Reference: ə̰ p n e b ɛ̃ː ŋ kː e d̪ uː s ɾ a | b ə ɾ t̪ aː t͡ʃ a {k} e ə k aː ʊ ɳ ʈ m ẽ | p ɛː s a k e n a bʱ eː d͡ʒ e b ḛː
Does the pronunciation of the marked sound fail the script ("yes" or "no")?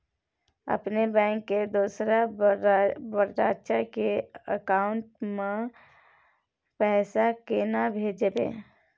no